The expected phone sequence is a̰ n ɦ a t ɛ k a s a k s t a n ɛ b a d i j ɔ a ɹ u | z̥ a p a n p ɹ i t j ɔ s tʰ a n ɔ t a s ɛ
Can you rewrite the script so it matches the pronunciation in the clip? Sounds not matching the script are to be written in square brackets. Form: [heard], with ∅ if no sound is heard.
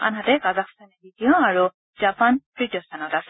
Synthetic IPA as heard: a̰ n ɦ a t ɛ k a [z] a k s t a n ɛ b [i] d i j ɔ a ɹ u | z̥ a p a n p ɹ i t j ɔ s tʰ a n ɔ t a s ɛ